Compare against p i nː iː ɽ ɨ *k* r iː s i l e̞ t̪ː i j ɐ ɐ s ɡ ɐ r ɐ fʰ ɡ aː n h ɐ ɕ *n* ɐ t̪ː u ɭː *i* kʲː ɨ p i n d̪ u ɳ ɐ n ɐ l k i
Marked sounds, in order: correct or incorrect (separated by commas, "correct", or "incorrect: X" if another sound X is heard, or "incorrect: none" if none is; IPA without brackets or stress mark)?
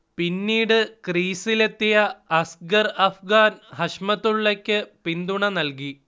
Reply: correct, incorrect: m, incorrect: e